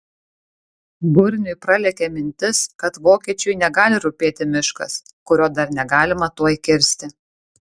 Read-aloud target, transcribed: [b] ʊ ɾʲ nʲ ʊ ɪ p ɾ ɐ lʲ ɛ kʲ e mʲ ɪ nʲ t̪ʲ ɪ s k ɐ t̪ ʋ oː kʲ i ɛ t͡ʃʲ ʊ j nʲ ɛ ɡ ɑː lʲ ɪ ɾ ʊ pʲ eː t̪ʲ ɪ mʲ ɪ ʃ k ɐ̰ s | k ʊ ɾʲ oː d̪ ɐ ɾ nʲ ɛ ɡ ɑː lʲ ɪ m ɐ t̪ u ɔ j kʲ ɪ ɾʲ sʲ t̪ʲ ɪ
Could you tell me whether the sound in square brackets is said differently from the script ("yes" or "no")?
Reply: no